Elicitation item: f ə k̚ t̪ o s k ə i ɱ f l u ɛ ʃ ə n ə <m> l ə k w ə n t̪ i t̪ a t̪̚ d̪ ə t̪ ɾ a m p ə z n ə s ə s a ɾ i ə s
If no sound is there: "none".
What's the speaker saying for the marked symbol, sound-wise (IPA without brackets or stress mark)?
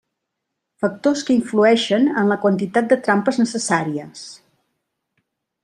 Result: n